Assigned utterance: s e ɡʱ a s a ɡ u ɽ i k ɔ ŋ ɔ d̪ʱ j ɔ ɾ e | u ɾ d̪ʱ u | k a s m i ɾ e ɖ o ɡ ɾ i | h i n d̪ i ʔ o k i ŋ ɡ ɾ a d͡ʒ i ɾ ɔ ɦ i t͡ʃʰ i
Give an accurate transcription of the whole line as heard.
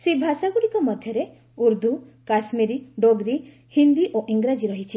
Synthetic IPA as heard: s e bʱ a s a ɡ u ɽ i k ɔ m ɔ d̪ʱ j ɔ ɾ e | u ɾ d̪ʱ u | k a s m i ɾ i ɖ o ɡ ɾ i | h i n d̪ i ʔ o ʔ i ŋ ɡ ɾ a d͡ʒ i ɾ ɔ ɦ i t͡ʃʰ i

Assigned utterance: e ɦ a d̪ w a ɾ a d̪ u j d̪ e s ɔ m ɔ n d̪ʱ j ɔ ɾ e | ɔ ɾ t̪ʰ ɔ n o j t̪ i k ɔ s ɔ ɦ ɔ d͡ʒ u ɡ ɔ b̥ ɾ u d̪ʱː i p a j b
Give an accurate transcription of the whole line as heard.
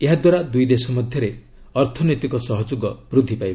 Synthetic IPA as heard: e ɦ a d̪ w a ɾ a d̪ u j d̪ e s ɔ m ɔ d̪ʱ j ɔ ɾ e | ɔ ɾ t̪ʰ ɔ n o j t̪ i k ɔ s ɔ ɦ ɔ d͡ʒ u ɡ ɔ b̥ ɾ u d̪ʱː i p a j b

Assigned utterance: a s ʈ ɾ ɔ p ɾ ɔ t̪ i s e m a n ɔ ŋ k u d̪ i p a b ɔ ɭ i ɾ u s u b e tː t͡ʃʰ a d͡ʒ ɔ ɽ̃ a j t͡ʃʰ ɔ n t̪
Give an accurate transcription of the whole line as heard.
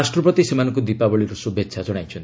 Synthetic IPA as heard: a s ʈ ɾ ɔ p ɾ ɔ t̪ i s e m a n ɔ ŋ k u d̪ i p a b ɔ ɭ i ɾ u s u b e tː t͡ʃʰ a d͡ʒ ɔ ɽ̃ a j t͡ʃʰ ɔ n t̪

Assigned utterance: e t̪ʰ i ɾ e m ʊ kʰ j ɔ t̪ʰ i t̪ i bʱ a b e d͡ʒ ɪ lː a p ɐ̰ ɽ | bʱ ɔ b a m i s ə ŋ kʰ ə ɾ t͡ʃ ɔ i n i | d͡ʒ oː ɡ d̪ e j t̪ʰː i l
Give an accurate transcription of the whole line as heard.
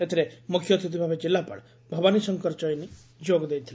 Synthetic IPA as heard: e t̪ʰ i ɾ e m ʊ kʰ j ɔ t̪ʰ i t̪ i bʱ a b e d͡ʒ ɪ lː a p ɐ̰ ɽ | bʱ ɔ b a n i s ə ŋ k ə ɾ t͡ʃ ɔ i n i | d͡ʒ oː ɡ d̪ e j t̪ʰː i l

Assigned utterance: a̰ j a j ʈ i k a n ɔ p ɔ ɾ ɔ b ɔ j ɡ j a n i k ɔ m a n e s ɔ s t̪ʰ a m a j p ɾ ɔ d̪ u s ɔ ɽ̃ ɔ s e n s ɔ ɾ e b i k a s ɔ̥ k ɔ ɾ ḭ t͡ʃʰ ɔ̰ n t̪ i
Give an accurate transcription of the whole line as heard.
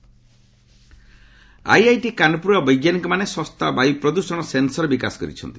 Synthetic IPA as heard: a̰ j a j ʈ i k a n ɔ p u ɾ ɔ b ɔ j ɡ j a n i k ɔ m a n e s ɔ s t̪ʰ a b a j p ɾ ɔ d̪ u s ɔ ɽ̃ ɔ s e n s ɔ ɾ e b i k a s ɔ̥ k ɔ ɾ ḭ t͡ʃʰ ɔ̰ n t̪ i

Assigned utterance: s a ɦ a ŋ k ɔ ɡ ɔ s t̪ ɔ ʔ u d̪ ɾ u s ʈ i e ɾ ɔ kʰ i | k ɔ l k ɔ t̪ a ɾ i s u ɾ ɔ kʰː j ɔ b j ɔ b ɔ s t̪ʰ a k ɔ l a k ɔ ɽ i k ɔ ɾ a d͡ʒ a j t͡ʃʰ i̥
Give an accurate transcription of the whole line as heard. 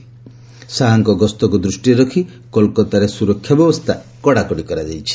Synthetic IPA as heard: s a ɦ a ŋ k ɔ ɡ ɔ s t̪ ɔ k u d̪ ɾ u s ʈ i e ɾ ɔ kʰ i | k ɔ l k ɔ t̪ a ɾ e s u ɾ ɔ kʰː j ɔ b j ɔ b ɔ s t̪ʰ a k ɔ ɽ a k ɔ ɽ i k ɔ ɾ a d͡ʒ a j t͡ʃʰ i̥

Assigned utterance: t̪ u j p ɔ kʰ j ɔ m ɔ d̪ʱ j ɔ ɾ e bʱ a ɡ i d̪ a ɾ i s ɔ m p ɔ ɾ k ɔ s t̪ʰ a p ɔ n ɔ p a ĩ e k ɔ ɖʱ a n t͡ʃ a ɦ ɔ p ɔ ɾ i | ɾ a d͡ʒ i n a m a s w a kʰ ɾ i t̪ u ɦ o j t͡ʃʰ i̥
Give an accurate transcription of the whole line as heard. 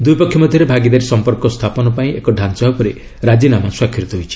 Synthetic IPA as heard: d̪ u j p ɔ kʰ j ɔ m ɔ d̪ʱ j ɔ ɾ e bʱ a ɡ i d̪ a ɾ i s ɔ m p ɔ ɾ k ɔ s t̪ʰ a p ɔ n ɔ p a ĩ e k ɔ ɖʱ a n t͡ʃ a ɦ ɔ p ɔ ɾ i | ɾ a d͡ʒ i n a m a s w a kʰ ɾ i t̪ ɔ ɦ o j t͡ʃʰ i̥

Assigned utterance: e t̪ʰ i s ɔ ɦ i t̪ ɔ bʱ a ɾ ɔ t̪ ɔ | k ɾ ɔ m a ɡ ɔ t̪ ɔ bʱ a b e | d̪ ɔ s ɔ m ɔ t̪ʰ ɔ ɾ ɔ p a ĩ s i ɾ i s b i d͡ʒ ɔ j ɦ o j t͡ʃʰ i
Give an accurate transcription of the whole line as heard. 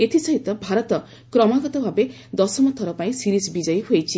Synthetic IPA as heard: e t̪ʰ i s ɔ ɦ i t̪ ɔ bʱ a ɾ ɔ t̪ ɔ | k ɾ ɔ m a ɡ ɔ t̪ ɔ bʱ a b e | d̪ ɔ s ɔ m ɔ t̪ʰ ɔ ɾ ɔ p a ĩ s i ɾ i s b i d͡ʒ ɔ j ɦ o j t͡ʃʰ i

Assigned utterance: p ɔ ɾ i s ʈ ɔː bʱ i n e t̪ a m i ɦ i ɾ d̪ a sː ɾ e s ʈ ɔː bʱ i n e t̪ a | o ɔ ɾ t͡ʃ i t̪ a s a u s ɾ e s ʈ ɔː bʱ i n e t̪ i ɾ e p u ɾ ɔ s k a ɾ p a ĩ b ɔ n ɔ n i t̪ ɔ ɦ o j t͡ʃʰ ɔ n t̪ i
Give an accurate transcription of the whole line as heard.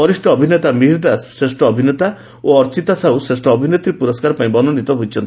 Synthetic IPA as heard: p ɔ ɾ i s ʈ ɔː bʱ i n e t̪ a m i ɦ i ɾ d̪ a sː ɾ e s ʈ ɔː bʱ i n e t̪ a | o ɔ ɾ t͡ʃ i t̪ a s a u s ɾ e s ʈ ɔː bʱ i n e t̪ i ɾ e p u ɾ ɔ s k a ɾ p a ĩ b ɔ n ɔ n i t̪ ɔ ɦ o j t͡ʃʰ ɔ n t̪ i

